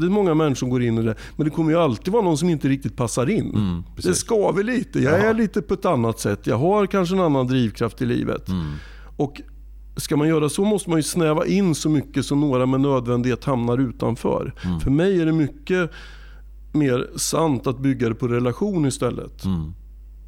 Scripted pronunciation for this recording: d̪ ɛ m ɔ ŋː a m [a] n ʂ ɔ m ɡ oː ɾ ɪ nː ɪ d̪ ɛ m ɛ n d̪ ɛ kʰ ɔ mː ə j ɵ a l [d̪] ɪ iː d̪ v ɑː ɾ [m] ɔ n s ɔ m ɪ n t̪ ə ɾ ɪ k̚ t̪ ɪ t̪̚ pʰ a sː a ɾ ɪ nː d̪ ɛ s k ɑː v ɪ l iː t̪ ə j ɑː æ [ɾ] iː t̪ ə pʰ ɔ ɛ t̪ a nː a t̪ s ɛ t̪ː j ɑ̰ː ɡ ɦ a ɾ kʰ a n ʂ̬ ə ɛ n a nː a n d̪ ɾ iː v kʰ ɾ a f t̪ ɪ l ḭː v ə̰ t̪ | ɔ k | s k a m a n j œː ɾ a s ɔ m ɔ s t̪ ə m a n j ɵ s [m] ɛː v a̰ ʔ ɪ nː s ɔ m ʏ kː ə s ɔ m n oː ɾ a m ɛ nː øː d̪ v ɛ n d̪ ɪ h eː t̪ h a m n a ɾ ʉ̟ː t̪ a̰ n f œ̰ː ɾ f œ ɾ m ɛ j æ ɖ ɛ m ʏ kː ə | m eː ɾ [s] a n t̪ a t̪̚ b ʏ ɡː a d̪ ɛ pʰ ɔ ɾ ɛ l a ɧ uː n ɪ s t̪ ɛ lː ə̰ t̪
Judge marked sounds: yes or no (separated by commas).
no, no, no, no, no, yes